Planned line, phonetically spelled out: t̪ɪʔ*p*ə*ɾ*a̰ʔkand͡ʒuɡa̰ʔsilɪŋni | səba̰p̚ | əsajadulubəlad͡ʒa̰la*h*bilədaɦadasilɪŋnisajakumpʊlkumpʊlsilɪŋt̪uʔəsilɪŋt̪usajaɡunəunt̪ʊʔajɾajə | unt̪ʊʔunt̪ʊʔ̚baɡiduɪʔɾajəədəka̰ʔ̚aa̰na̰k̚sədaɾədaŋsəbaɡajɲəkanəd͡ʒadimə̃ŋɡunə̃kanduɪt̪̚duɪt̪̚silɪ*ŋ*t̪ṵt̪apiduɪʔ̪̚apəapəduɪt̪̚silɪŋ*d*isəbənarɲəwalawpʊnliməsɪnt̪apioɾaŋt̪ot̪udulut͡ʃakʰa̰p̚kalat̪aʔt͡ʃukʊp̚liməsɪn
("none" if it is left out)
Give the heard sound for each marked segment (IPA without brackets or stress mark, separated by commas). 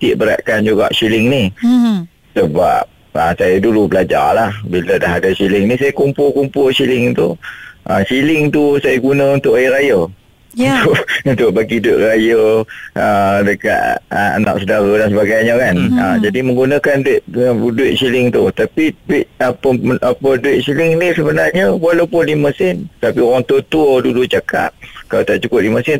b, ɾ, h, ŋ, n